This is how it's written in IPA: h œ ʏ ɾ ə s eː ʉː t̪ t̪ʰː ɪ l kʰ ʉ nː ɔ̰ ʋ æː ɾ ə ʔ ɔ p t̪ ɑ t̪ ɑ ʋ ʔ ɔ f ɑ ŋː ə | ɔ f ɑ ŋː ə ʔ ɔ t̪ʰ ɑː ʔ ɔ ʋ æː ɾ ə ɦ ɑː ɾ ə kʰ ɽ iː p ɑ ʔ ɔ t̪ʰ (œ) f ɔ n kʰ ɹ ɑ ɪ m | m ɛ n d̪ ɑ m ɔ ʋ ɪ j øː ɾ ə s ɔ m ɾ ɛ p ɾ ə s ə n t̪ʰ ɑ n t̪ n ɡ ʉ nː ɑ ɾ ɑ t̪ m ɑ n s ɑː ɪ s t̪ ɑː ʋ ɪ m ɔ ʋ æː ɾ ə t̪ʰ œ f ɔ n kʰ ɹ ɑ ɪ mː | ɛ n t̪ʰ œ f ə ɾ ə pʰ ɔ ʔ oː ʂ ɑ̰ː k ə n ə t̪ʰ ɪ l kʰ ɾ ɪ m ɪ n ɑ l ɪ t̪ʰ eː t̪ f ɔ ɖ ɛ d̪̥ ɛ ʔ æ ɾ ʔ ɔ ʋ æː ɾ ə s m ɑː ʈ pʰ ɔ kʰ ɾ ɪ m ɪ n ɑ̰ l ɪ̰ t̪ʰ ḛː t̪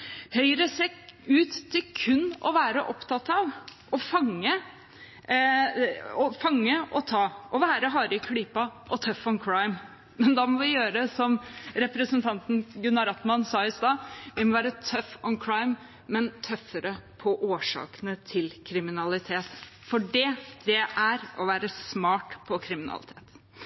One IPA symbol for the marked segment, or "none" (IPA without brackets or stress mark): œ